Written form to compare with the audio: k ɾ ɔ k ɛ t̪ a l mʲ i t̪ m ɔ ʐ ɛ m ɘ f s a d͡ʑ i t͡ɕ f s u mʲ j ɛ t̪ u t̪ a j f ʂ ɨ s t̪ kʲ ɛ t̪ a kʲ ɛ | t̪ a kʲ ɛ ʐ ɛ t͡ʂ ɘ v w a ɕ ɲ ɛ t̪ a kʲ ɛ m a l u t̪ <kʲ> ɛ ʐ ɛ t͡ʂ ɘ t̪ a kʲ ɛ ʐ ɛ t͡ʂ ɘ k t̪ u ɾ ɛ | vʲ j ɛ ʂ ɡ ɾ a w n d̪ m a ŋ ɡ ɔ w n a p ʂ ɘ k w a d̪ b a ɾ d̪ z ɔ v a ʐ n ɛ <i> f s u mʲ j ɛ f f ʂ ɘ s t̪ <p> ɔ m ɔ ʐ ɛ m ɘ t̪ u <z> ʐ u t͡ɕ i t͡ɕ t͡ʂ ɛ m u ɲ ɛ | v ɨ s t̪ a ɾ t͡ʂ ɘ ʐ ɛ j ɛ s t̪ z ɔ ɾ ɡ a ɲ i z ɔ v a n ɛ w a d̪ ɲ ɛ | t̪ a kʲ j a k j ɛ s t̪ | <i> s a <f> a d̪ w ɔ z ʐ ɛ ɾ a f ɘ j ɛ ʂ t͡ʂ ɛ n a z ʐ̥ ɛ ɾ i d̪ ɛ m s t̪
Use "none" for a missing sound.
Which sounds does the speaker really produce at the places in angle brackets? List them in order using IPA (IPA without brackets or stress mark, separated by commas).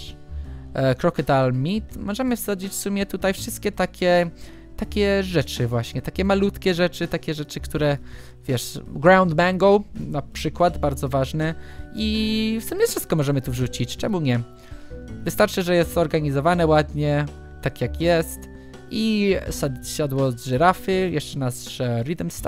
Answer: kʲ, i, k, v, i, ɕ